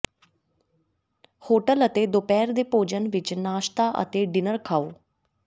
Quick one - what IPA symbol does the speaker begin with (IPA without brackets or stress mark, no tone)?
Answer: h